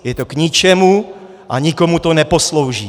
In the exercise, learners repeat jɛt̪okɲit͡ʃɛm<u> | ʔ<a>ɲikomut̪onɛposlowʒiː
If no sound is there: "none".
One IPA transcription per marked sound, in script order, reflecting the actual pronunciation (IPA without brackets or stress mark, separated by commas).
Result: u, a